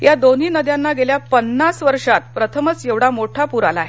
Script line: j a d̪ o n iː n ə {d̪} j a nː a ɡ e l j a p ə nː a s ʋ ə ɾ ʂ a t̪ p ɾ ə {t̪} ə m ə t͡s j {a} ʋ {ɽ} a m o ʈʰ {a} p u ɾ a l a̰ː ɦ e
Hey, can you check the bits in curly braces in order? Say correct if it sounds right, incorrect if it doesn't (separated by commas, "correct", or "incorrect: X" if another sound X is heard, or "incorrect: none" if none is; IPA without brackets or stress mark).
correct, incorrect: t̪ʰ, incorrect: e, correct, correct